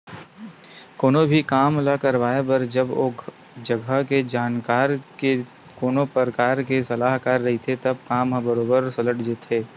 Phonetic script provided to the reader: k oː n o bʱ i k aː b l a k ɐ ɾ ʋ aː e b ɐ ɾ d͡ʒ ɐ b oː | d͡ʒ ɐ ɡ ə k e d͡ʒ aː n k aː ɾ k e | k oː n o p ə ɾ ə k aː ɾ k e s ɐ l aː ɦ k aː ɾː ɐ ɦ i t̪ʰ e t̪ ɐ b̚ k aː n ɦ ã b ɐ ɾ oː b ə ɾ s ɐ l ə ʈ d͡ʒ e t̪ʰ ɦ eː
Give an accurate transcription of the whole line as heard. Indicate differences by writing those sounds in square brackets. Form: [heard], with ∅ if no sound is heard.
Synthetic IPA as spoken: k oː n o bʱ i k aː [m] l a k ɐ ɾ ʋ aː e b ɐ ɾ d͡ʒ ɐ b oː | d͡ʒ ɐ ɡ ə k e d͡ʒ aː n k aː ɾ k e | k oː n o p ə ɾ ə k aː ɾ k e s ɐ l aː ɦ k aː ɾː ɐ ɦ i t̪ʰ e t̪ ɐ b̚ k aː [m] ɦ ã b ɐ ɾ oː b ə ɾ s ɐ l ə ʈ d͡ʒ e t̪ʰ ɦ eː